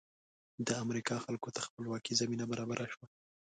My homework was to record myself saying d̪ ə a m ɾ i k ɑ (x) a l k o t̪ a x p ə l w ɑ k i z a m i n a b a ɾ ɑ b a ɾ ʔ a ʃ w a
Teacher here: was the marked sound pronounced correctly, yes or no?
yes